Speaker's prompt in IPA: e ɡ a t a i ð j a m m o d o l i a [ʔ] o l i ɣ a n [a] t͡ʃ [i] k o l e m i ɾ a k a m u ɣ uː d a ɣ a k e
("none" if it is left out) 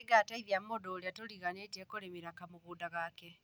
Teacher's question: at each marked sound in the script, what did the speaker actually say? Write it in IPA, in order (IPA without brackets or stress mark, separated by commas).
t, e, e